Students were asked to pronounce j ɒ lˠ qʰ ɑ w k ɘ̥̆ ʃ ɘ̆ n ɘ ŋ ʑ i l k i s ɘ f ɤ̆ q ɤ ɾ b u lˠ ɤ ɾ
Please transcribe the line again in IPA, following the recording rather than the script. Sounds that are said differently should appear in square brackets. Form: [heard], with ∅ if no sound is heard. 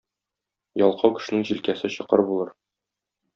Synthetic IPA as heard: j ɒ lˠ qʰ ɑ w k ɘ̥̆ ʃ ɘ̆ n ɘ ŋ ʑ i l k [æ] s ɘ [ɕ] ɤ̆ q ɤ ɾ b u lˠ ɤ ɾ